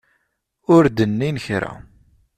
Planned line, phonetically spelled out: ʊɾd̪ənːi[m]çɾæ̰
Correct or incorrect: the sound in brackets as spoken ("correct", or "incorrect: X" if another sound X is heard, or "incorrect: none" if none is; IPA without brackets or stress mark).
incorrect: n